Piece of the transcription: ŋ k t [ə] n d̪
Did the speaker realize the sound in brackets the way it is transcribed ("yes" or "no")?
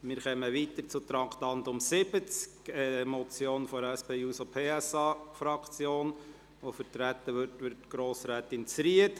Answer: no